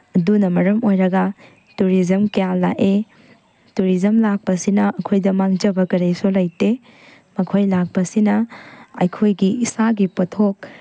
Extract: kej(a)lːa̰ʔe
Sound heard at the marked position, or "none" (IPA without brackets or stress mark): a